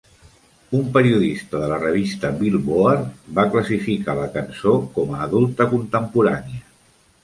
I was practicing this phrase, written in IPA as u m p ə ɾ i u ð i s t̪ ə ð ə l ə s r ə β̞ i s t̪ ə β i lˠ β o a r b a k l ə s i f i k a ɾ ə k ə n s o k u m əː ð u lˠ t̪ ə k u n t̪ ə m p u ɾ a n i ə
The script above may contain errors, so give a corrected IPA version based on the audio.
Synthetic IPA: u m p ə ɾ i u ð i s t̪ ə ð ə l ə r ə β̞ i s t̪ ə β i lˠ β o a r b a k l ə s i f i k a l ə k ə n s o k ɔ m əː ð u lˠ t̪ ə k u n t̪ ə m p u ɾ a n i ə